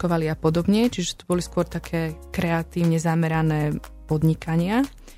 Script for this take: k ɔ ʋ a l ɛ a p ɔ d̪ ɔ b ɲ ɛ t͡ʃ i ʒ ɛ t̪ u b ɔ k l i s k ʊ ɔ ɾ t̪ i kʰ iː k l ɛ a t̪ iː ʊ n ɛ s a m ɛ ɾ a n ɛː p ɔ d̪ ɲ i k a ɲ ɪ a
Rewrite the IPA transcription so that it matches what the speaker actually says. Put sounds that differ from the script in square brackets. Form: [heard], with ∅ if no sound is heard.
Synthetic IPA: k ɔ ʋ a l [i] a p ɔ d̪ ɔ b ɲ ɛ t͡ʃ i ʒ ɛ t̪ u b ɔ [∅] l i s k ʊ ɔ ɾ t̪ [a] kʰ [ɛː] k [ɾ] ɛ a t̪ iː ʊ [ɲ] ɛ [z] a m ɛ ɾ a n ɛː p ɔ d̪ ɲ i k a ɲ ɪ a